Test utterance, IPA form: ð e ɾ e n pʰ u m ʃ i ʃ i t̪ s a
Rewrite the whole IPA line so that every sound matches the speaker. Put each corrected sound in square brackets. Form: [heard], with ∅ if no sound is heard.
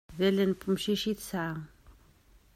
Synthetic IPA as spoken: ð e [l] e n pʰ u m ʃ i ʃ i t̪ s a